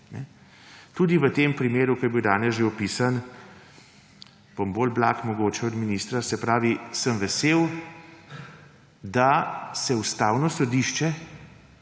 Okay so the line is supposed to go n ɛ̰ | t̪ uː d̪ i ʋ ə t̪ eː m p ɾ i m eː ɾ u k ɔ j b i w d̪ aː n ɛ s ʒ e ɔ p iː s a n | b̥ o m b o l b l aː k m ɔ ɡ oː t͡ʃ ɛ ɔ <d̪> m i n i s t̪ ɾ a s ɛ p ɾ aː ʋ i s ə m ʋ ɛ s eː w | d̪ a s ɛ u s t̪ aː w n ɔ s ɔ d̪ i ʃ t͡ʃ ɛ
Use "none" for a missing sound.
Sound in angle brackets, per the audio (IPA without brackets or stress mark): d̪